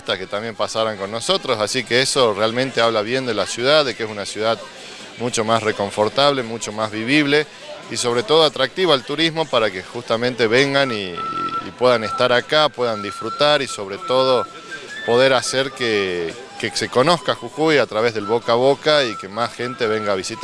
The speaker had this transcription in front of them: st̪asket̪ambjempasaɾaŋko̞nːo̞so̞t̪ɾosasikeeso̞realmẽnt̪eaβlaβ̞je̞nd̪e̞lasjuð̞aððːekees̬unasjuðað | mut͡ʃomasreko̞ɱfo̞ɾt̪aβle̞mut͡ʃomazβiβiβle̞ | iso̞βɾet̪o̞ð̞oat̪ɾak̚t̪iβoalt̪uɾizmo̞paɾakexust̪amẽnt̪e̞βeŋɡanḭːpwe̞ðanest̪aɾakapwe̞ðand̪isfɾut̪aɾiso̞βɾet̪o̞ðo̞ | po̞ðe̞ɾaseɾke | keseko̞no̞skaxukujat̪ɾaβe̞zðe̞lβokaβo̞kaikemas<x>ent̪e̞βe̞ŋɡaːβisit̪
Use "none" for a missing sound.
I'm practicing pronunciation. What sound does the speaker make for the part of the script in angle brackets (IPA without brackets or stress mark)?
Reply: x